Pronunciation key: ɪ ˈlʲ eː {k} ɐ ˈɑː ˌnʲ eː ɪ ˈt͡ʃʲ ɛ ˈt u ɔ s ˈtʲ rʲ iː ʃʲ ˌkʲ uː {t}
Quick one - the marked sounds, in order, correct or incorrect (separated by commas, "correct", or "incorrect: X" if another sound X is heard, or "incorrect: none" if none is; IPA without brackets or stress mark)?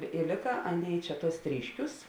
correct, incorrect: s